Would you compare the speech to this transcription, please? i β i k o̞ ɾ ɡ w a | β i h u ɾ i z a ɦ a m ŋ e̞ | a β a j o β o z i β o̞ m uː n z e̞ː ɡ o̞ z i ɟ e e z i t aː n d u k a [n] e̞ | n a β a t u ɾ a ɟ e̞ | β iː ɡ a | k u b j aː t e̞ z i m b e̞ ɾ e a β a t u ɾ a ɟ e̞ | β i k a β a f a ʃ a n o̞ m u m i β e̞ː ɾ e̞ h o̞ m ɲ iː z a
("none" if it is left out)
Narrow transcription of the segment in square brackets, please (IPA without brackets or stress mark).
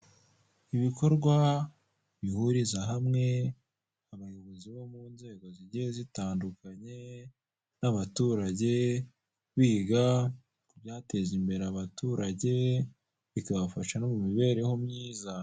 ɲ